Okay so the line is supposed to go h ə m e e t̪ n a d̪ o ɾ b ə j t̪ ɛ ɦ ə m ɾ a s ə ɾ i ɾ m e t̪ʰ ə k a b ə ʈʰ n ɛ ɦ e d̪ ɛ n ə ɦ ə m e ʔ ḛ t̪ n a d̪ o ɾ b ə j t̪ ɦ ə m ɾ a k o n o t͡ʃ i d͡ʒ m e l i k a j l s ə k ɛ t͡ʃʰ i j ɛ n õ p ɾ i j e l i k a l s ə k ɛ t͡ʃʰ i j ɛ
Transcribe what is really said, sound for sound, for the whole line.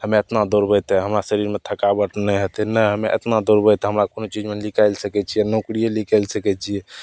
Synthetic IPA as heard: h ə m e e t̪ n a d̪ o ɾ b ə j t̪ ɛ ɦ ə m ɾ a s ə ɾ i ɾ m e t̪ʰ ə k a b ə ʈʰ n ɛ ɦ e t̪ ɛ n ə ɦ ə m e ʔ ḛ t̪ n a d̪ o ɾ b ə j t̪ ɦ ə m ɾ a k o n o t͡ʃ i d͡ʒ m e l i k a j l s ə k ɛ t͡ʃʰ i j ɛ n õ k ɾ i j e l i k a l s ə k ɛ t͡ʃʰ i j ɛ